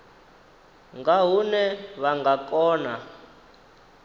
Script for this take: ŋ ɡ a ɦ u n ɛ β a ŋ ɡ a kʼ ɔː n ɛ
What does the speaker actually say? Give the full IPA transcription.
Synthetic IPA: ŋ ɡ a ɦ u n ɛ β a ŋ ɡ a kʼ ɔː n a